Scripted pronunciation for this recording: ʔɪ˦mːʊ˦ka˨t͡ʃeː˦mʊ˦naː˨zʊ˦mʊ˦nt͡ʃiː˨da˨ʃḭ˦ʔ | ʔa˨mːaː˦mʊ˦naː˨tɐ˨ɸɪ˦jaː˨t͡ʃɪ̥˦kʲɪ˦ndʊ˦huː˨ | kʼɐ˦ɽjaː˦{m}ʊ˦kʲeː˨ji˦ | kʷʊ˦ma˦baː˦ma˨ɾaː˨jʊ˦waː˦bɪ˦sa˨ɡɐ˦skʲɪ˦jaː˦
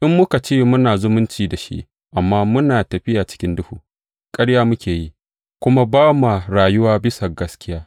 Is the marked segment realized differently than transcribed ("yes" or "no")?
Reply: no